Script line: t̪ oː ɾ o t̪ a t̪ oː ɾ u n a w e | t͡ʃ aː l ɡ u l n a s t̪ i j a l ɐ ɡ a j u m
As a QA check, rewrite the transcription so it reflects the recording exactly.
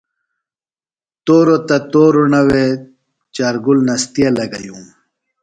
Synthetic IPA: t̪ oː ɾ o t̪ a t̪ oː ɾ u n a w e | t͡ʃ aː ɾ ɡ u l n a s t̪ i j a l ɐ ɡ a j u m